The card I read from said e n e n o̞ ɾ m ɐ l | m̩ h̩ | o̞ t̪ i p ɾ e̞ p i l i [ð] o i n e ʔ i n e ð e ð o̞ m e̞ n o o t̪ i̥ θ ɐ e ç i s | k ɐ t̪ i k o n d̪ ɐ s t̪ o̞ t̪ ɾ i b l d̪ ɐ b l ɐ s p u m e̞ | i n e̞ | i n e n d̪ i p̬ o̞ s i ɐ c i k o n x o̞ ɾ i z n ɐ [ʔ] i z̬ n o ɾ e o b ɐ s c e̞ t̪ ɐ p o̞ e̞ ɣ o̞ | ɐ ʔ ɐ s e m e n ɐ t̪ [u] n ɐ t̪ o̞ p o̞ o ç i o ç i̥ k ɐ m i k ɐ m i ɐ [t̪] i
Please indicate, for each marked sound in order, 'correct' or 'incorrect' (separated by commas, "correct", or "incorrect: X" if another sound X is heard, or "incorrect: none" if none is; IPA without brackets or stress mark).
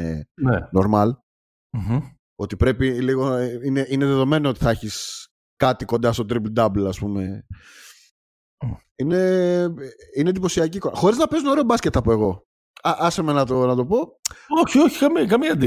incorrect: ɣ, incorrect: p, incorrect: o, incorrect: d̪